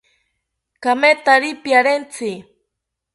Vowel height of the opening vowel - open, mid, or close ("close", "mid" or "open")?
open